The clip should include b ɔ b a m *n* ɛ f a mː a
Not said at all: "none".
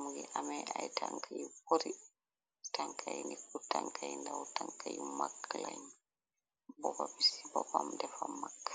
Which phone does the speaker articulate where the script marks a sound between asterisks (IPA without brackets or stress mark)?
d